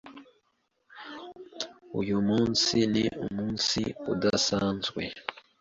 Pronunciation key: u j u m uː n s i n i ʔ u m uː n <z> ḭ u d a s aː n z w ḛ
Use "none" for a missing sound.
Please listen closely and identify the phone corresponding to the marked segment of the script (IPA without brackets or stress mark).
s